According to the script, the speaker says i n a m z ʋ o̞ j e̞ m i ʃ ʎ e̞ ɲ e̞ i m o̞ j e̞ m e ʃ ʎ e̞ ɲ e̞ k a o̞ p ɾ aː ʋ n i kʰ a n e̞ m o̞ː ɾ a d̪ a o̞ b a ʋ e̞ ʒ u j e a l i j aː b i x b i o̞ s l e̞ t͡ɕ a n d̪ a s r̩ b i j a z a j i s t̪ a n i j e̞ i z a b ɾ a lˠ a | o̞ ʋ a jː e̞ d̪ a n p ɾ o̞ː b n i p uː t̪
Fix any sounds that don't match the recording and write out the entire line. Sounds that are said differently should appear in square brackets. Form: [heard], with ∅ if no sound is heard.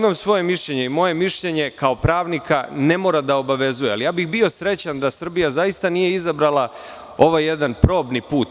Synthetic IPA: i [m] a m [s] ʋ o̞ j e̞ m i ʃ ʎ e̞ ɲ e̞ i m o̞ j e̞ m [i] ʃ ʎ e̞ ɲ e̞ k a o̞ p ɾ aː ʋ n i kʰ a n e̞ m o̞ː ɾ a d̪ a o̞ b a ʋ e̞ [z] u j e a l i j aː b i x b i o̞ s [ɾ] e̞ t͡ɕ a n d̪ a s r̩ b i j a z a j i s t̪ a n i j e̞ i z a b ɾ a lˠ a | o̞ ʋ a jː e̞ d̪ a n p ɾ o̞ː b n i p uː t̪

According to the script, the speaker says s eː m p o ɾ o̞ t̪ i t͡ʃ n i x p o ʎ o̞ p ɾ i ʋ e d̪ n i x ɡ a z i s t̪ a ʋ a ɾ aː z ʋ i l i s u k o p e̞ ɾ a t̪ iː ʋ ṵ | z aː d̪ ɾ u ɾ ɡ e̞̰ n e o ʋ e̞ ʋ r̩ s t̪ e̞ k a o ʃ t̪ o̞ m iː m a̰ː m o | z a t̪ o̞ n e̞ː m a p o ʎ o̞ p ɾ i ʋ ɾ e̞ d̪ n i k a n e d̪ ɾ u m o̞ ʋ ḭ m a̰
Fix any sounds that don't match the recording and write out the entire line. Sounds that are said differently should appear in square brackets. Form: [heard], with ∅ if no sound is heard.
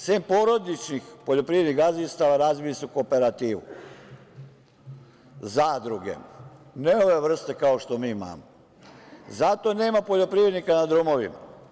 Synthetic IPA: s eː m p o ɾ o̞ [d̪] i t͡ʃ n i x p o ʎ o̞ p ɾ i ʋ e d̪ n i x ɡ a z i s t̪ a ʋ a ɾ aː z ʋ i l i s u k o p e̞ ɾ a t̪ iː ʋ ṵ | z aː d̪ ɾ u [∅] ɡ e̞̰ n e o ʋ e̞ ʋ r̩ s t̪ e̞ k a o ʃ t̪ o̞ m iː m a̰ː m o | z a t̪ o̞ n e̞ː m a p o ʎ o̞ p ɾ i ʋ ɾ e̞ d̪ n i k a n [a] d̪ ɾ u m o̞ ʋ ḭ m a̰

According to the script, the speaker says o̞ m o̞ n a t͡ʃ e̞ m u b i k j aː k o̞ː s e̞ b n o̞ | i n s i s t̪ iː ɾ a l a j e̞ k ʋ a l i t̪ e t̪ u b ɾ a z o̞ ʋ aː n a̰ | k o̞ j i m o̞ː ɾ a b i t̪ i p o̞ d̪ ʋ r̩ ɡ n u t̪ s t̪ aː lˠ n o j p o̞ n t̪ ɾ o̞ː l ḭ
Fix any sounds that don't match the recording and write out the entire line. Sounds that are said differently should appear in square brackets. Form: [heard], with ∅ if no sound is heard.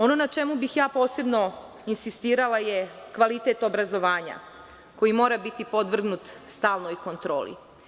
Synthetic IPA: o̞ [n] o̞ n a t͡ʃ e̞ m u b i [x] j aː [p] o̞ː s e̞ b n o̞ | i n s i s t̪ iː ɾ a l a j e̞ k ʋ a l i t̪ e t̪ [o] b ɾ a z o̞ ʋ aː [ɲ] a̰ | k o̞ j i m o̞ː ɾ a b i t̪ i p o̞ d̪ ʋ r̩ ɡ n u t̪ s t̪ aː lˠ n o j [k] o̞ n t̪ ɾ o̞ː l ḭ

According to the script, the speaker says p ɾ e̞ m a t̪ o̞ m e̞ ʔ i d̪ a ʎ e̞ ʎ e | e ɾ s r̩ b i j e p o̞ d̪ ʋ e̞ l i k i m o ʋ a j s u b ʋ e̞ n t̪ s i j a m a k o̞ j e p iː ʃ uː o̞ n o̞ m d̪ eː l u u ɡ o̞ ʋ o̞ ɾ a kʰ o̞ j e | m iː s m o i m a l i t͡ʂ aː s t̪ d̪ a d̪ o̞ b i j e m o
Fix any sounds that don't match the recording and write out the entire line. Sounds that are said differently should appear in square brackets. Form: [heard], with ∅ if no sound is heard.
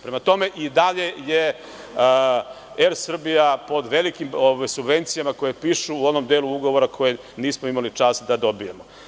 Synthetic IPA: p ɾ e̞ m a t̪ o̞ m e̞ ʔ i d̪ a ʎ e̞ [j] e | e ɾ s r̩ b i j [a] p o̞ d̪ ʋ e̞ l i k i m o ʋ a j s u b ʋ e̞ n t̪ s i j a m a k o̞ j e p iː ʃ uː o̞ n o̞ m d̪ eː l u u ɡ o̞ ʋ o̞ ɾ a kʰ o̞ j e | [n] iː s m o i m a l i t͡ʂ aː s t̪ d̪ a d̪ o̞ b i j e m o

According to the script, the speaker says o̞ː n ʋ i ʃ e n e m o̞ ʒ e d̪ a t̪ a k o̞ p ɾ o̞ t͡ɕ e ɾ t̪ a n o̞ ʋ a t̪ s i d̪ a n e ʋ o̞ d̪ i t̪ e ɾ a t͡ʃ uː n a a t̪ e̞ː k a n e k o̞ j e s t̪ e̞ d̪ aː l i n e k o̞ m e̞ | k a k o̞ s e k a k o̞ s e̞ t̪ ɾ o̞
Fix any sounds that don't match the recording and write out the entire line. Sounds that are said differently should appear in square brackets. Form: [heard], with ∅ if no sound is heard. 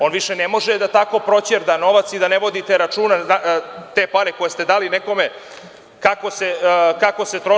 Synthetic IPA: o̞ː n ʋ i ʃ e n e m o̞ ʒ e d̪ a t̪ a k o̞ p ɾ o̞ t͡ɕ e ɾ [d̪] a n o̞ ʋ a t̪ s i d̪ a n e ʋ o̞ d̪ i t̪ e ɾ a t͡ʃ uː n a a t̪ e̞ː [p] a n e k o̞ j e s t̪ e̞ d̪ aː l i n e k o̞ m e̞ | k a k o̞ s e k a k o̞ s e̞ t̪ ɾ o̞

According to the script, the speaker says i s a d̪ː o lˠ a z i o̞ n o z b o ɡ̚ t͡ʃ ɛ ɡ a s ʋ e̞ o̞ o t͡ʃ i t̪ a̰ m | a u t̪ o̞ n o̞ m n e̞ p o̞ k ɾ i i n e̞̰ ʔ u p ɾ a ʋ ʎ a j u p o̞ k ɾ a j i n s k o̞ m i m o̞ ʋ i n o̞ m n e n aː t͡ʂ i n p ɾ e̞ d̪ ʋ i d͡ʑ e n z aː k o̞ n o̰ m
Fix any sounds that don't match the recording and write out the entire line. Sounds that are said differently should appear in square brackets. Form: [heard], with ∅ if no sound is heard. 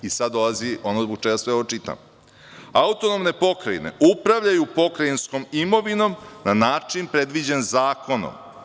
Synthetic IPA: i s a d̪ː o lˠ a z i o̞ n o z b o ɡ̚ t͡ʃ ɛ ɡ a s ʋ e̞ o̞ o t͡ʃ i t̪ a̰ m | a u t̪ o̞ n o̞ m n e̞ p o̞ k ɾ [a] i n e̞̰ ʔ u p ɾ a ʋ ʎ a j u p o̞ k ɾ a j i n s k o̞ m i m o̞ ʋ i n o̞ m n [a] n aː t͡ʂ i n p ɾ e̞ d̪ ʋ i d͡ʑ e n z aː k o̞ n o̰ m

